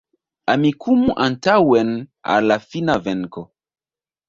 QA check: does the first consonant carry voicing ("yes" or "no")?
yes